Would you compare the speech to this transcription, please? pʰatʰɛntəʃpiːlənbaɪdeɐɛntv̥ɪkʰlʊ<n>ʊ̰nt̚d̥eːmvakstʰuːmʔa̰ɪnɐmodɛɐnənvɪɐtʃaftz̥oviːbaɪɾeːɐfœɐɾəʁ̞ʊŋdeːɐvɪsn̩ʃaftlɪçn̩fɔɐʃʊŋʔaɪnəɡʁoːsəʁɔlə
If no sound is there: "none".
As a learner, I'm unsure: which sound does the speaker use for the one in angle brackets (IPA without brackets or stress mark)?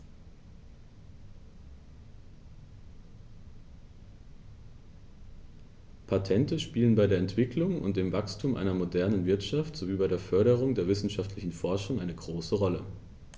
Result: ŋ